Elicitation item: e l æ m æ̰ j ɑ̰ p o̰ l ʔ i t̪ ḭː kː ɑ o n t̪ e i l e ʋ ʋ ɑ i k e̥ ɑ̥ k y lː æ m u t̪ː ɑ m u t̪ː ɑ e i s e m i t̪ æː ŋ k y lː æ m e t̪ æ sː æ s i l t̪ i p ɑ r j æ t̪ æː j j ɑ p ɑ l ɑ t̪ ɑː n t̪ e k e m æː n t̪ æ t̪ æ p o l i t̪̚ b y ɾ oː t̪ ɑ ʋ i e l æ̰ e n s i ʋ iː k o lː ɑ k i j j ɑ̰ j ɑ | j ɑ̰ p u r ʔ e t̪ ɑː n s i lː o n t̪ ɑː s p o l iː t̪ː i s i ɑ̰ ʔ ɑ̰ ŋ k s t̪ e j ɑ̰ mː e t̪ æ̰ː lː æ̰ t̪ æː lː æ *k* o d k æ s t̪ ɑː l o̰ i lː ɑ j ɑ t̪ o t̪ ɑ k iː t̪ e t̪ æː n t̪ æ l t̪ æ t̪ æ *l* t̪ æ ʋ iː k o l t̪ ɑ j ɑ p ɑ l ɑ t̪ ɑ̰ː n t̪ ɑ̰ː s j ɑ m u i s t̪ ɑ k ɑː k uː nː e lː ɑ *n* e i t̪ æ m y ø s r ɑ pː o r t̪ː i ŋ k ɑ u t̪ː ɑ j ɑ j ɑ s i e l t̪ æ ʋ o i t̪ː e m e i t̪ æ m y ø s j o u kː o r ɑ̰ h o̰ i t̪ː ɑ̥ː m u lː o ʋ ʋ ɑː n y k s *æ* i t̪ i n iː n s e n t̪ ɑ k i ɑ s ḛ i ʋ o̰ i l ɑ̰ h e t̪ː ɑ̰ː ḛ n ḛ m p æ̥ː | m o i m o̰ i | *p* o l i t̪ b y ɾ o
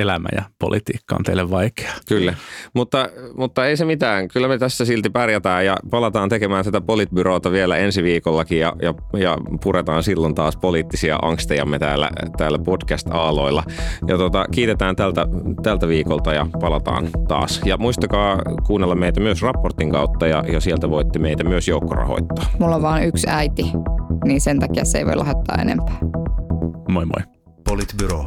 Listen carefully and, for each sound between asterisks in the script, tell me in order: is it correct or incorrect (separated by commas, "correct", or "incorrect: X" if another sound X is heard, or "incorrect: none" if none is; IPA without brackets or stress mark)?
incorrect: p, correct, incorrect: m, correct, correct